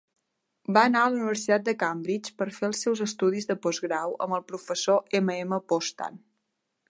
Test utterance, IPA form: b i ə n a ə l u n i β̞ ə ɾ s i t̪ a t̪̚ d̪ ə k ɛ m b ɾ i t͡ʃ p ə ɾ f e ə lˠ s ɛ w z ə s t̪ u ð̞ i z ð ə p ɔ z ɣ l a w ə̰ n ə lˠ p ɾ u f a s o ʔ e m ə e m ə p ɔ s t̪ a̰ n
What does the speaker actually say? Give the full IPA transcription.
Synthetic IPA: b a ə n a ə l u n i β̞ ə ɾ s i t̪ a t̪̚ d̪ ə k a m b ɾ i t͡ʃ p ə ɾ f e ə lˠ s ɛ w z ə s t̪ u ð̞ i z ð ə p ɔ z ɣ ɾ a w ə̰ m ə lˠ p ɾ u f ə s o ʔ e m ə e m ə p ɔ s t̪ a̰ n